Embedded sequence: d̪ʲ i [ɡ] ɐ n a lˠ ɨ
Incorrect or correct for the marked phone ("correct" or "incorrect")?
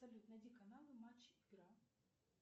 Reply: incorrect